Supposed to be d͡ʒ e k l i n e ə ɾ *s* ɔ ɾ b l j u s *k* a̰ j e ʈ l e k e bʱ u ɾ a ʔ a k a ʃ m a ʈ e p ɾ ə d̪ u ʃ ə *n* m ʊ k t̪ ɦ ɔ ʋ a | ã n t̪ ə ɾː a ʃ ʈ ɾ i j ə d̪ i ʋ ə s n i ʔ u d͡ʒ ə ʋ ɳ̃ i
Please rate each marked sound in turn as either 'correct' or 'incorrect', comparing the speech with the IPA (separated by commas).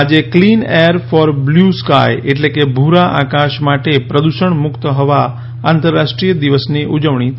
incorrect, correct, incorrect